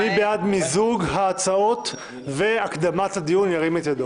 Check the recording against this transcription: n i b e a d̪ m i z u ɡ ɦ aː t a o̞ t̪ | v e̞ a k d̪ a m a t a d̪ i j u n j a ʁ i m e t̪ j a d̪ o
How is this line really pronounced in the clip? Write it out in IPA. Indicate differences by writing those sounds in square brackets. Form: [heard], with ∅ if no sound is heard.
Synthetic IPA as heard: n i b e a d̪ m i z u ɡ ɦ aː [t͡s] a o̞ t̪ | v e̞ a k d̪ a m a t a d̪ i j u n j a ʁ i m e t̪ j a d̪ o